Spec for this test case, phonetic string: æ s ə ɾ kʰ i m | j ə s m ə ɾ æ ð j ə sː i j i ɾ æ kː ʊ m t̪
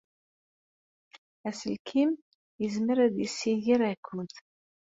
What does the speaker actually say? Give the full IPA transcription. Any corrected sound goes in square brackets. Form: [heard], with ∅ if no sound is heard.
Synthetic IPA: æ s ə [l] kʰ i m | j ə [z] m ə ɾ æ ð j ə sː i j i ɾ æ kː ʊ [n] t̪